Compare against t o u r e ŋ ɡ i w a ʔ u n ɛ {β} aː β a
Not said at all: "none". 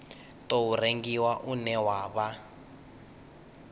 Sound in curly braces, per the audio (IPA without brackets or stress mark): w